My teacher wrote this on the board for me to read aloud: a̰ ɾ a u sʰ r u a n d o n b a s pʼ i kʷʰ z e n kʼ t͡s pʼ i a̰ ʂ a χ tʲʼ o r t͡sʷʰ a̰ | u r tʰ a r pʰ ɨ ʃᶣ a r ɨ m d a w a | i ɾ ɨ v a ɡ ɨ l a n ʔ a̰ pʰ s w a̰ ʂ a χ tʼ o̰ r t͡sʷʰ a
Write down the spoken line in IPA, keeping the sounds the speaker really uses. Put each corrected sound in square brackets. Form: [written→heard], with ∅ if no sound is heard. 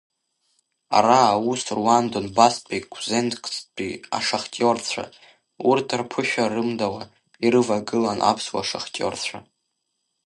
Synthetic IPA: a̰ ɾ a u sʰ r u a n d o n b a s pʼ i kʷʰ z e n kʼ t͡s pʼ i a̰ ʂ a χ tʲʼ o r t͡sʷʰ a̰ | u r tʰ a r pʰ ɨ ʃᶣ a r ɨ m d a w a | i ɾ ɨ v a ɡ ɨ l a n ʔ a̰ pʰ s w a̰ ʂ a χ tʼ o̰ r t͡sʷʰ a